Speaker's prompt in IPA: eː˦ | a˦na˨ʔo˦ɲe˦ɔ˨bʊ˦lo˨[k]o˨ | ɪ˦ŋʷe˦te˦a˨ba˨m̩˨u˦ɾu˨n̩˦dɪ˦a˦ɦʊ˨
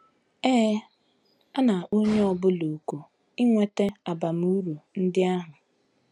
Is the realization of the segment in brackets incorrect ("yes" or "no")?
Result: no